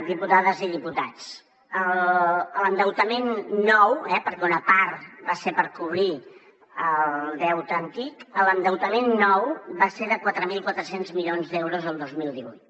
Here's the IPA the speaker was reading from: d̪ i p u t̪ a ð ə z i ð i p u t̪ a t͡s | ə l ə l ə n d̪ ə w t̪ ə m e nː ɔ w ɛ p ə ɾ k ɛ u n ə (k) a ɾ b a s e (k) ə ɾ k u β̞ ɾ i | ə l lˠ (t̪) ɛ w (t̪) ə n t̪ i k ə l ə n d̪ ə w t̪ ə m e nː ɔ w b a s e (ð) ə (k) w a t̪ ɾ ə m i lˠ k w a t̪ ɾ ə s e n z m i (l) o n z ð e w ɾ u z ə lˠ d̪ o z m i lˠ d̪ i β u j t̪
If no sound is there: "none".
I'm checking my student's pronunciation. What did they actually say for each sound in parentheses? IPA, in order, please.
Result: p, p, d̪, t̪, ð, k, ʎ

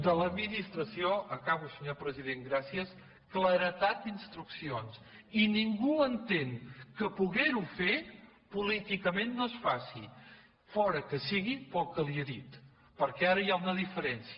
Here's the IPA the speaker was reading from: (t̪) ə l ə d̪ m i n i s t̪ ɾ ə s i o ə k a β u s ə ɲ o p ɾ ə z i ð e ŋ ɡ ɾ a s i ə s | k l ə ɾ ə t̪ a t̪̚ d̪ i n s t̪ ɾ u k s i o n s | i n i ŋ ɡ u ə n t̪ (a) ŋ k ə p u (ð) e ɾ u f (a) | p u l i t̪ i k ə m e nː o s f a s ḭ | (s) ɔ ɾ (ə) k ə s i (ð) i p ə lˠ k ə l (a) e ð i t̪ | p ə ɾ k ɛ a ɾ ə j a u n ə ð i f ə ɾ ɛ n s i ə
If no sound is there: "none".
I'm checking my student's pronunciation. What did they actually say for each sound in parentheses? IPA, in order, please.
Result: d̪, e, ɣ, e, f, ə, ɣ, i

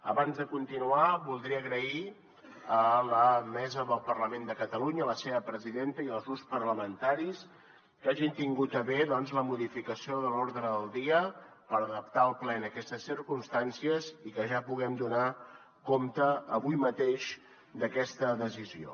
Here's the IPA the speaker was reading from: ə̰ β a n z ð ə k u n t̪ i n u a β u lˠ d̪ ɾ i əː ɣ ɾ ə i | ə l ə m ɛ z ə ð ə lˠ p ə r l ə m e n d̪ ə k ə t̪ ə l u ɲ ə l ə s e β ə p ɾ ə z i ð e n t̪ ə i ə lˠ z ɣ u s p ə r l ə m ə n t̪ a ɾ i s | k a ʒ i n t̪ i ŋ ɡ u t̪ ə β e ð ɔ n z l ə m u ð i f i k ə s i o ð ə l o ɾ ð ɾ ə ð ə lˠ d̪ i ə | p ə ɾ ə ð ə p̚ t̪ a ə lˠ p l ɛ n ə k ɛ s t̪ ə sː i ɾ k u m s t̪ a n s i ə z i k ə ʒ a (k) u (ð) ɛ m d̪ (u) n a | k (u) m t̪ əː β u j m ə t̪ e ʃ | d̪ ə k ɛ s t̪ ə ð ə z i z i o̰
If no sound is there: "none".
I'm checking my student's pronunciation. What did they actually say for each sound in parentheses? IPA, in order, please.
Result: p, ɣ, u, o

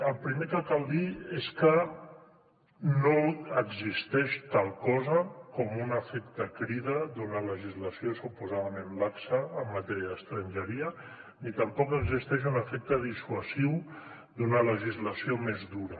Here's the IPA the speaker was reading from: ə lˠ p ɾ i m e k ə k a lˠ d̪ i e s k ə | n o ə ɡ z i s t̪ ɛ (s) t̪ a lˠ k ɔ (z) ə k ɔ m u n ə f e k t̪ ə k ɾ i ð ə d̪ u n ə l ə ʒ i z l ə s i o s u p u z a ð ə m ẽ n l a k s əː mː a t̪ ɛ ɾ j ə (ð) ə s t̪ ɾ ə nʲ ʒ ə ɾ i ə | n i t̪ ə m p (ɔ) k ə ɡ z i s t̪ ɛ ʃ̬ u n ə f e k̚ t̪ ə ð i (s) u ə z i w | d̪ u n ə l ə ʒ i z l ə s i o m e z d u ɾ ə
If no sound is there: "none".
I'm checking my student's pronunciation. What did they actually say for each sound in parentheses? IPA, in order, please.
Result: ʃ, z, ð, ɔ, s

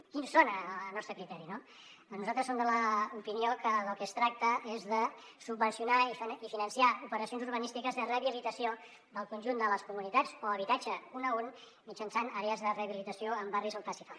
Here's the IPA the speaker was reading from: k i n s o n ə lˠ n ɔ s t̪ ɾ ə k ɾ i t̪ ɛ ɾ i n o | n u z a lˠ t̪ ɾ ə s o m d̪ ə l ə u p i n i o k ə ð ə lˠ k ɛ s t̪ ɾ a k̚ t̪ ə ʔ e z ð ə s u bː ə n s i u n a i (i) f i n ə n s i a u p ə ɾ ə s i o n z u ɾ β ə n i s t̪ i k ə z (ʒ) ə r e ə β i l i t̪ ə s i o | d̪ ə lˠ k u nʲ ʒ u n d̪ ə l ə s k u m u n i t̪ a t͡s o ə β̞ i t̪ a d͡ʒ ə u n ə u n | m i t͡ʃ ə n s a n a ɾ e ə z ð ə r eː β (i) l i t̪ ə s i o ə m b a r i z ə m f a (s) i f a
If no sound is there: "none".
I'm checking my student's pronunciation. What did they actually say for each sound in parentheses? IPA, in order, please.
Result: i, ð, i, s

